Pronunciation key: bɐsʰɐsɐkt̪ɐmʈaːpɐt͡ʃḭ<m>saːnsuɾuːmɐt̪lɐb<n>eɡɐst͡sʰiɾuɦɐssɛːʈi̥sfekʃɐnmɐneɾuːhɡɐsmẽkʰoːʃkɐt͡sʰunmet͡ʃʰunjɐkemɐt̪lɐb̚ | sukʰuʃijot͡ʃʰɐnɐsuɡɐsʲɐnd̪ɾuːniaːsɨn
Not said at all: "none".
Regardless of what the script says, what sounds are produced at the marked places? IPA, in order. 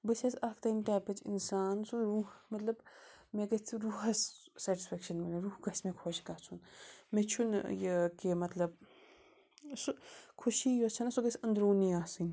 n, m

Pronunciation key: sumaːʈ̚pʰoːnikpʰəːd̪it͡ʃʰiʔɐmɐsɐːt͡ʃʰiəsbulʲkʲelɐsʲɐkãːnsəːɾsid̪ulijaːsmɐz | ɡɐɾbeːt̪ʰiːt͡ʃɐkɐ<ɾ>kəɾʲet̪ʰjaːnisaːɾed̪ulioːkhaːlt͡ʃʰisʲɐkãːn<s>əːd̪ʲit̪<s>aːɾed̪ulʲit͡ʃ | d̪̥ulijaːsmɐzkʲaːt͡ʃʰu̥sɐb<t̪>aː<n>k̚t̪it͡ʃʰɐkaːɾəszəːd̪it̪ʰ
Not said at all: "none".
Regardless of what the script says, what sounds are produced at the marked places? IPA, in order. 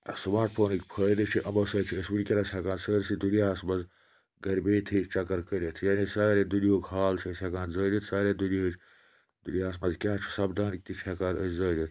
ɾ, z, s, d̪, n

